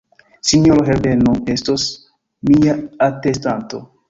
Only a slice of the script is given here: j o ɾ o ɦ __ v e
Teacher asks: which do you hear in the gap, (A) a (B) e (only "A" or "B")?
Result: B